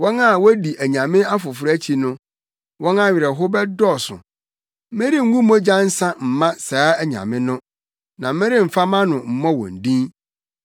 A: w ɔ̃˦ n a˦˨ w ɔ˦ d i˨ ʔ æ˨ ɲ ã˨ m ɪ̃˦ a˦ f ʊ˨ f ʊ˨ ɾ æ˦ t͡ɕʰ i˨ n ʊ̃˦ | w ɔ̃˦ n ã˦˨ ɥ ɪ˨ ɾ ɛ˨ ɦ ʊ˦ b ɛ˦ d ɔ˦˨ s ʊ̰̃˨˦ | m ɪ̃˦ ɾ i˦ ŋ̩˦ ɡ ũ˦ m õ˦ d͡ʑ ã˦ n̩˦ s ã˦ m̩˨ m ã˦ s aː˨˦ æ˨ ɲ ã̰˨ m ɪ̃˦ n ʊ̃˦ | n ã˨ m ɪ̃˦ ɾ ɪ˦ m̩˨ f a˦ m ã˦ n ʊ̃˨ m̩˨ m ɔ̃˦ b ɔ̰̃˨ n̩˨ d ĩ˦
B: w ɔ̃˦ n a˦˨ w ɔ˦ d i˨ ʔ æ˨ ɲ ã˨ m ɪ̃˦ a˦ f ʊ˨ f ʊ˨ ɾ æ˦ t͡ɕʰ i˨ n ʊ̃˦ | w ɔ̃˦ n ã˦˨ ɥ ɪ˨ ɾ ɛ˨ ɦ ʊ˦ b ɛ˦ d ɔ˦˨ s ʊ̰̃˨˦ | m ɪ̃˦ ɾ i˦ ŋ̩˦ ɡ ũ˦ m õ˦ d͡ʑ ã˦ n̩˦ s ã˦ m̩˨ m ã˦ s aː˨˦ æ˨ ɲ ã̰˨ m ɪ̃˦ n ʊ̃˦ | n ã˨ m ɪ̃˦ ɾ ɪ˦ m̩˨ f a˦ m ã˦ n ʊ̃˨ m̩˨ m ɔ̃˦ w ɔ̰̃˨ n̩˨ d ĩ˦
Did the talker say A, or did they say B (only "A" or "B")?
B